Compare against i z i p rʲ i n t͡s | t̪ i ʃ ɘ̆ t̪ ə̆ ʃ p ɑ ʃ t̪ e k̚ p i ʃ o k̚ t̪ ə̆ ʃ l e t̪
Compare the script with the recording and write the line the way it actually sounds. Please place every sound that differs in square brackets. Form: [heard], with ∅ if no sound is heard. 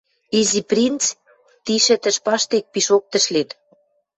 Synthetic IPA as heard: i z i p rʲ i n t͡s | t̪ i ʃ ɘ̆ t̪ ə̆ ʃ p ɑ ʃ t̪ e k̚ p i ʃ o k̚ t̪ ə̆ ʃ l e t̪